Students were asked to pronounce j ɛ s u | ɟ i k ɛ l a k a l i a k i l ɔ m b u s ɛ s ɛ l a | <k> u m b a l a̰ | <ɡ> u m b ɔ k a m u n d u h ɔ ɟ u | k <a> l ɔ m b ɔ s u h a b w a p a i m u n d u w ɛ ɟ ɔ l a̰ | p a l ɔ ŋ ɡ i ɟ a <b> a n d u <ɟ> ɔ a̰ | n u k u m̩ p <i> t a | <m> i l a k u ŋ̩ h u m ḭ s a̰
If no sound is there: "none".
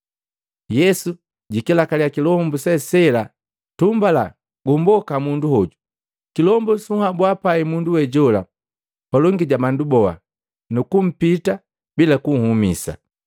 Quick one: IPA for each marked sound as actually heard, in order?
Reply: t, ɡ, i, m, b, i, b

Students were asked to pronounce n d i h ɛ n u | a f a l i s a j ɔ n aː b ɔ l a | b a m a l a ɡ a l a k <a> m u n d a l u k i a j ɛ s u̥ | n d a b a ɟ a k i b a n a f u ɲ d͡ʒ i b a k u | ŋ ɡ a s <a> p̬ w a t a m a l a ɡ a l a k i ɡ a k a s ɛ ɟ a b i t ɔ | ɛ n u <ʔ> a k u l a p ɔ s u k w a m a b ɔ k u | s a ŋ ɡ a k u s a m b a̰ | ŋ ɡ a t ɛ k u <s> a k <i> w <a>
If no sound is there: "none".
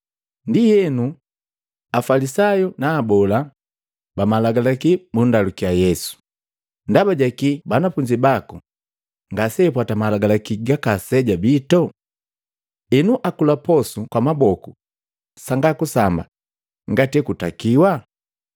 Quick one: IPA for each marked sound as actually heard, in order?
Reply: i, ɛ, ʔ, t, i, a

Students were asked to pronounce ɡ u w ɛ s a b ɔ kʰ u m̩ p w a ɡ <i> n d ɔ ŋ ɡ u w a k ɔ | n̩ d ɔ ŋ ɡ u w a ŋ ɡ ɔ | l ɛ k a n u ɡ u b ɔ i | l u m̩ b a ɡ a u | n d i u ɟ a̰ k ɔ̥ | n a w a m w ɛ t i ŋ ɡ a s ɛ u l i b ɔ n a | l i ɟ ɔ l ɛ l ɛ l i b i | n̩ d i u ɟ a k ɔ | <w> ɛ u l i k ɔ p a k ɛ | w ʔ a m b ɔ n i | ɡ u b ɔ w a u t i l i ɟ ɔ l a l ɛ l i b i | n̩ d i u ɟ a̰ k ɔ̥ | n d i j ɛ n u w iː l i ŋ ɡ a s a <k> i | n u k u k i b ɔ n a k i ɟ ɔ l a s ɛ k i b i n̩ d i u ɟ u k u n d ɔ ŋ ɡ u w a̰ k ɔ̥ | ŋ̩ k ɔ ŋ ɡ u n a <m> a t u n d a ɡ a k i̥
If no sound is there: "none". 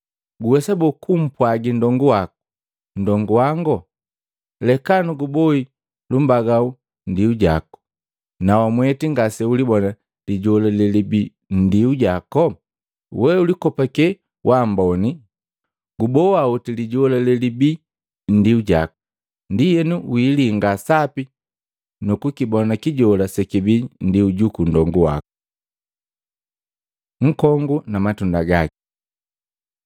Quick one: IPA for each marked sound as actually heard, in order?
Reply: i, w, p, m

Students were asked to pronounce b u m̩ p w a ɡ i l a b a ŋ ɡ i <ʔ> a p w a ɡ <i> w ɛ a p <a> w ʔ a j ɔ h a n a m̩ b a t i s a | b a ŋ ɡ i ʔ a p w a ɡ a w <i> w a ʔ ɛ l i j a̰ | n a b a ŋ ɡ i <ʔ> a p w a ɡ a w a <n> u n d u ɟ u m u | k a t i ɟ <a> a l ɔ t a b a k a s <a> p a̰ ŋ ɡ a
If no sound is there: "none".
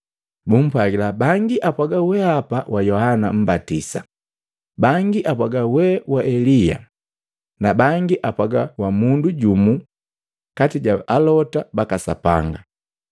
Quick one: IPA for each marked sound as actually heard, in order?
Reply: ʔ, a, a, ɛ, ʔ, m, a, a

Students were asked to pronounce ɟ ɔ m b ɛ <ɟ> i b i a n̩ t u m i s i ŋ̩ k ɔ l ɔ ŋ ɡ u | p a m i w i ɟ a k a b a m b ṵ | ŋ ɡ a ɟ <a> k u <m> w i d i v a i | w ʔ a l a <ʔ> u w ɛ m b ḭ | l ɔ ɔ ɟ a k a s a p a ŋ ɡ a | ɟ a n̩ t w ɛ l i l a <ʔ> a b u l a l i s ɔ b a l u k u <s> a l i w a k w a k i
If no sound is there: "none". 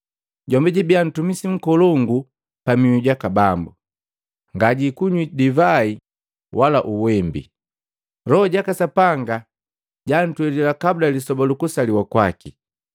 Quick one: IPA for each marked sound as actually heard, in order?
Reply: ɟ, i, ɲ, ʔ, k, s

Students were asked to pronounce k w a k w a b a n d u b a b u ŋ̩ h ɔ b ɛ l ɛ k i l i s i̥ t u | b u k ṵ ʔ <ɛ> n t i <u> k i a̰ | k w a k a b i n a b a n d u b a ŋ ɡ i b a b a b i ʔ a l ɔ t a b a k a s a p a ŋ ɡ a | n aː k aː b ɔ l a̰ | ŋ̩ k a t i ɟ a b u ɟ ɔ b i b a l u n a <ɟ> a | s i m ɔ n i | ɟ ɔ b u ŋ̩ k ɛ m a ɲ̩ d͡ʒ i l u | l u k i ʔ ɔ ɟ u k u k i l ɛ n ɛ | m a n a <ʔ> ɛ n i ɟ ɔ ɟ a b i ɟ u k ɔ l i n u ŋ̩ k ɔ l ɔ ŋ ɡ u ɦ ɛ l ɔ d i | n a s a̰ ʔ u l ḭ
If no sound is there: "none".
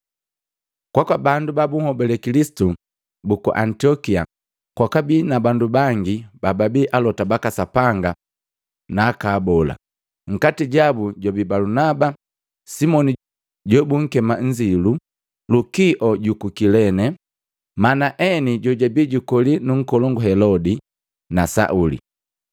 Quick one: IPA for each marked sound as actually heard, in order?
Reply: a, ɔ, b, ʔ

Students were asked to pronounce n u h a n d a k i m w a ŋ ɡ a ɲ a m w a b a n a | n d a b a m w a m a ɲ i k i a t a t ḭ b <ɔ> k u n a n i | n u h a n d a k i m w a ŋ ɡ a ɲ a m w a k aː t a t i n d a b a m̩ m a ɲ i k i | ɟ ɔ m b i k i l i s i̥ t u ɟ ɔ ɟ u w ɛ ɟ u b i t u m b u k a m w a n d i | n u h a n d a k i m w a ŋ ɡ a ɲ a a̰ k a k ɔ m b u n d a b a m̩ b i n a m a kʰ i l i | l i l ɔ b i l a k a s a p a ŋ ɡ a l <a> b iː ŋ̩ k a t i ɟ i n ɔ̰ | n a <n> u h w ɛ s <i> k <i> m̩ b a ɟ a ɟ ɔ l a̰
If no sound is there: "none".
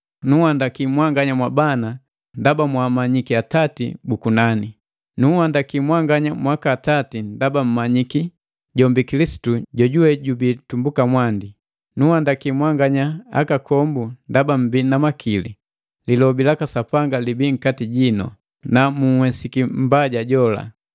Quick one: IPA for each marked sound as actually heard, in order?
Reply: u, i, m, i, i

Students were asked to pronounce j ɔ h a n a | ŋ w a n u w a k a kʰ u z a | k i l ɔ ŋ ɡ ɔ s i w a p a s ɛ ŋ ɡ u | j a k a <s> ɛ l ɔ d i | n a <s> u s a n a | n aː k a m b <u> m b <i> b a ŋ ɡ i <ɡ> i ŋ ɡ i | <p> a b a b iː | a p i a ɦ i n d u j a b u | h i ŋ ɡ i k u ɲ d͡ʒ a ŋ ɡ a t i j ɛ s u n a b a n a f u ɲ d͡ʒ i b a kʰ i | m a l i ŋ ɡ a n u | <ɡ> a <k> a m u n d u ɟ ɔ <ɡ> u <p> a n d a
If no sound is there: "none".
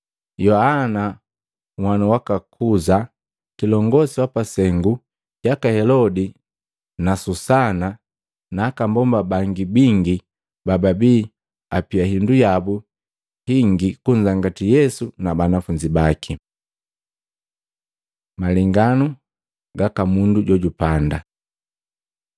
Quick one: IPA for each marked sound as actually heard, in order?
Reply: h, s, ɔ, a, b, b, ɡ, k, ɟ, p

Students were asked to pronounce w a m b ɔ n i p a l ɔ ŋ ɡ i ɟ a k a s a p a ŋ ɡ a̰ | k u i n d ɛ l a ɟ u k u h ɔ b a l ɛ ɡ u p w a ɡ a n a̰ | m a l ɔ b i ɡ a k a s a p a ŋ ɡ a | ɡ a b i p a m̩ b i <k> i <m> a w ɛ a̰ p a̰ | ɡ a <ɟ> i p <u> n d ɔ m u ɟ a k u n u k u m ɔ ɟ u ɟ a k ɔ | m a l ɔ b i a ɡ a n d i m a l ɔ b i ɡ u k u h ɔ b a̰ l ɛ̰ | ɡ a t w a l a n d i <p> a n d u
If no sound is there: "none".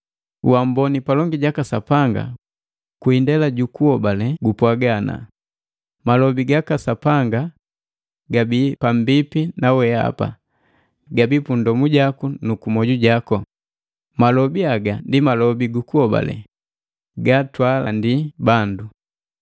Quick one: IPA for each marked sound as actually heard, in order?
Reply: p, n, b, u, b

